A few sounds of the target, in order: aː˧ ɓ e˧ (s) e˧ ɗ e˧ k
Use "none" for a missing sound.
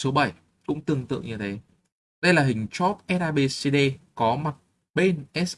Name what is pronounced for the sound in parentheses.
s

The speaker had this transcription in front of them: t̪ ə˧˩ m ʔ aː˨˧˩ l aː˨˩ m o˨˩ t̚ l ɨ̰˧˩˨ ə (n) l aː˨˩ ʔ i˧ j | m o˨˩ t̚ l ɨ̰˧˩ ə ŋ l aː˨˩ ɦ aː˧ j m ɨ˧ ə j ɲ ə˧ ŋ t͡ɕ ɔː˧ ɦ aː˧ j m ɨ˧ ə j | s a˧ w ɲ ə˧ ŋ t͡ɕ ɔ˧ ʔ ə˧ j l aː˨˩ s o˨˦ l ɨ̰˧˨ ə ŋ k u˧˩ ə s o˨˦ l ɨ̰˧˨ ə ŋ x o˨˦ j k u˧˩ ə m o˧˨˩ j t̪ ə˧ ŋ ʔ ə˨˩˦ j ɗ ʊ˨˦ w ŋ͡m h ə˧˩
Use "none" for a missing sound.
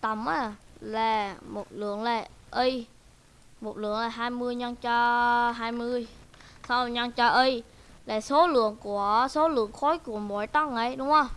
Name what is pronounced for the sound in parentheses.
ŋ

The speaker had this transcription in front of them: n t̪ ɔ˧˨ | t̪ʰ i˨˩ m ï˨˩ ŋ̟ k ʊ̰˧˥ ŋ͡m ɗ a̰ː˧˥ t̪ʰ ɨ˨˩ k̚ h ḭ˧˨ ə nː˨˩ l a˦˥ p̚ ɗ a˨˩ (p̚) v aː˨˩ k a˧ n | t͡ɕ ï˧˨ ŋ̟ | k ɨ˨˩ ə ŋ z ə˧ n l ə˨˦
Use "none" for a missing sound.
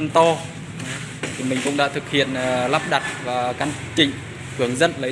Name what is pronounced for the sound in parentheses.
t̚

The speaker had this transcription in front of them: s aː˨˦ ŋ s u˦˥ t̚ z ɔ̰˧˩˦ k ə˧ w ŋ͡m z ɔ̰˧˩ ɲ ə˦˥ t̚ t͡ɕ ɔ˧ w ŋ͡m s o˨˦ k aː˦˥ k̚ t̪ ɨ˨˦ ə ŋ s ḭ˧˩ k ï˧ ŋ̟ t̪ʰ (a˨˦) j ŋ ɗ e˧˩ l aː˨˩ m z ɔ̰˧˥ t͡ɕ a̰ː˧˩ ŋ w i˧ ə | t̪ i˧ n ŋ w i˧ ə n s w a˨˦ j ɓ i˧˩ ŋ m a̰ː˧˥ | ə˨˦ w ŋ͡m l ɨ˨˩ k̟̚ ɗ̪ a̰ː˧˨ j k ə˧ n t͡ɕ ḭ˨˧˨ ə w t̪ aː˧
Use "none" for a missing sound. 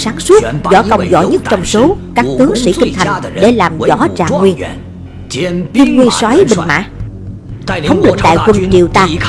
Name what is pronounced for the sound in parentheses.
a˨˩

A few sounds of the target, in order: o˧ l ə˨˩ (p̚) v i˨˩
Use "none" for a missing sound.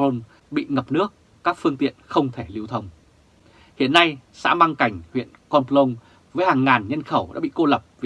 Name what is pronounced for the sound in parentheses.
p̚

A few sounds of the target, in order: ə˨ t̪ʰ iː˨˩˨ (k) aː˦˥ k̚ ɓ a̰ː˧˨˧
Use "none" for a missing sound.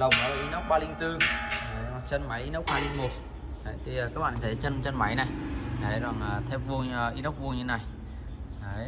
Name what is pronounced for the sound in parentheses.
k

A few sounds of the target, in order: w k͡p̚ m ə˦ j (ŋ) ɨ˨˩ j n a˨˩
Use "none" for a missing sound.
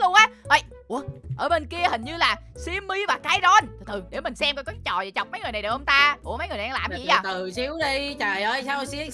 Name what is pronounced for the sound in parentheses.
ŋ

